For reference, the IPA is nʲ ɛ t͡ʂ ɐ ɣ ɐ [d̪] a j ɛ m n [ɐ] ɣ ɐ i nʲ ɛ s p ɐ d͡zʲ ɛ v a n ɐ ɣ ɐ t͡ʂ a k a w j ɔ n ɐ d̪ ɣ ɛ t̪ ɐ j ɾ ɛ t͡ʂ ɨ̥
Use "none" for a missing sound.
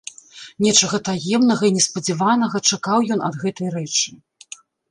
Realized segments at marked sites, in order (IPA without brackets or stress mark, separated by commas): t̪, ɐ